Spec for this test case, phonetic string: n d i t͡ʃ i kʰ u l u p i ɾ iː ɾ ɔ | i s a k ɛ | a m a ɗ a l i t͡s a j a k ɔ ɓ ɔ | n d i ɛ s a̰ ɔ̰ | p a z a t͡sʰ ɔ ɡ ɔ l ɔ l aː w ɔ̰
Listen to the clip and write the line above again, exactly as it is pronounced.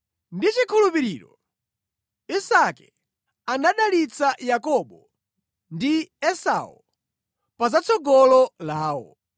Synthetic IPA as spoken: n d i t͡ʃ i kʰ u l u p i ɾ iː ɾ ɔ | i s a k ɛ | a n a ɗ a l i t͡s a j a k ɔ ɓ ɔ | n d i ɛ s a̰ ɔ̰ | p a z a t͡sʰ ɔ ɡ ɔ l ɔ l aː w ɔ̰